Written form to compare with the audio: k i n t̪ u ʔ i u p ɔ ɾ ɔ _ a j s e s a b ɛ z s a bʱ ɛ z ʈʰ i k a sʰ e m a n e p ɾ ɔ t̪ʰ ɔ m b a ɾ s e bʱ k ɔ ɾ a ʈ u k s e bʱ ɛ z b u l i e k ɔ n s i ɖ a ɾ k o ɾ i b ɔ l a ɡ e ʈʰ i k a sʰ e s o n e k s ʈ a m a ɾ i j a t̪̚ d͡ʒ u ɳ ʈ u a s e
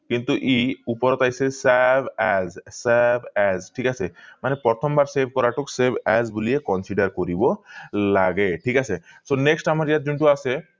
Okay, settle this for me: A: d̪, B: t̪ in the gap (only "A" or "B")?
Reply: B